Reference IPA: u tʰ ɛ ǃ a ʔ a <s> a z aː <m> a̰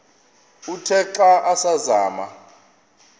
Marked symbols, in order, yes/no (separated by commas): yes, yes